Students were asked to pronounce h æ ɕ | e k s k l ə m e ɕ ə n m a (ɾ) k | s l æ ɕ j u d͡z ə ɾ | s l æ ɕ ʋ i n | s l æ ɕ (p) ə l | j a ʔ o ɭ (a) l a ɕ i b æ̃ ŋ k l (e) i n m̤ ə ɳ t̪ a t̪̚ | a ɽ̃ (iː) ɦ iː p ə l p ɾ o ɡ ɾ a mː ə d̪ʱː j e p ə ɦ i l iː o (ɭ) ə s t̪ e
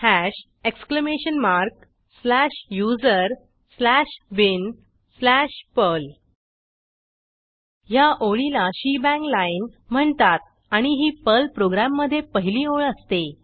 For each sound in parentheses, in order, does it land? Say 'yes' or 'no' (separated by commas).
yes, yes, no, no, no, yes